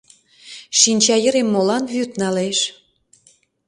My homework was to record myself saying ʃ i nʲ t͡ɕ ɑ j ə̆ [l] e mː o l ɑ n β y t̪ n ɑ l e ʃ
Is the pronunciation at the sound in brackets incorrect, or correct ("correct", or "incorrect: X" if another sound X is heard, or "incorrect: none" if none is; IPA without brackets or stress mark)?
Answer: incorrect: ɾ